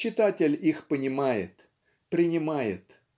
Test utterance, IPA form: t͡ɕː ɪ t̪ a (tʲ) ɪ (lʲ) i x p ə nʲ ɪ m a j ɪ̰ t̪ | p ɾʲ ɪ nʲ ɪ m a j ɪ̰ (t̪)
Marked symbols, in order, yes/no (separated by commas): yes, yes, yes